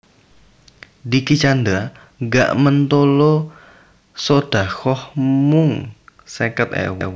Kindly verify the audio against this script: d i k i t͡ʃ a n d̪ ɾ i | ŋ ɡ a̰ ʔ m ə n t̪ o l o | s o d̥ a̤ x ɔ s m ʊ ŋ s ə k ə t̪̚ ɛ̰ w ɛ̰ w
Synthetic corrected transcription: d i k i t͡ʃ a n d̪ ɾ a | ŋ ɡ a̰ ʔ m ə n t̪ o l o | s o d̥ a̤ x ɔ h m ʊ ŋ s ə k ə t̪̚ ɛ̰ w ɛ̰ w